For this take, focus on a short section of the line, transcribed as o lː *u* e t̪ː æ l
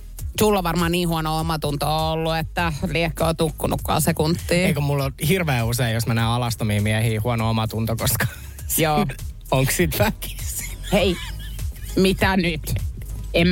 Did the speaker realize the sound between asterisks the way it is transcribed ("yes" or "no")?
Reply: yes